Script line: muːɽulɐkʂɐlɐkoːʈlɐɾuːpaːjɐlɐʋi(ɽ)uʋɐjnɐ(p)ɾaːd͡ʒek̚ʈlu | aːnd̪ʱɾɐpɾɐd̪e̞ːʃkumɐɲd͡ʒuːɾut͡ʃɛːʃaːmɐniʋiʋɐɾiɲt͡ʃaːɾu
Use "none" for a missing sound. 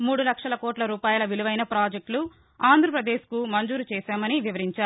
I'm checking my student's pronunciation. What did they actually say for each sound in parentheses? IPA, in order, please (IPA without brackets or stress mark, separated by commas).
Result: l, p